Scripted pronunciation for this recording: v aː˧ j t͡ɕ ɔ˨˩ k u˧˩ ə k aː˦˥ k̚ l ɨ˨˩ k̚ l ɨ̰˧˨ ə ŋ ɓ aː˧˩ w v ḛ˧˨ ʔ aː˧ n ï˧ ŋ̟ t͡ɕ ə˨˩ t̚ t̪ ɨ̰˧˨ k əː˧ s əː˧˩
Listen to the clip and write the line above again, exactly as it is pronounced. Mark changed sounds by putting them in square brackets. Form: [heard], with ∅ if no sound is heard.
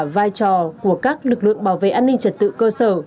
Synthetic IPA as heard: v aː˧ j t͡ɕ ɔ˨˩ k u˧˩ ə k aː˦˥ k̚ l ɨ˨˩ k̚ l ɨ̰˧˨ ə ŋ ɓ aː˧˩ w v ḛ˧˨ ʔ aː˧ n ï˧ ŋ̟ t͡ɕ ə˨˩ t̚ t̪ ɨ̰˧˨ k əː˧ s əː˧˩